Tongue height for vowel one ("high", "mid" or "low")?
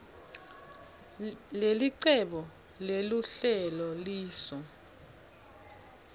mid